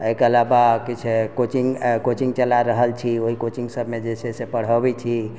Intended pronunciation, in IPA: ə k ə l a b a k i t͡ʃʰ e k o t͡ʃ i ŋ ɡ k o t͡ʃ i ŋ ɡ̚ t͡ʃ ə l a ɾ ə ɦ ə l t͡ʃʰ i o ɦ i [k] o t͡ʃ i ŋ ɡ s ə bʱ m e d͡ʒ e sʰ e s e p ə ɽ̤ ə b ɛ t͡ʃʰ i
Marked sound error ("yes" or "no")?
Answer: no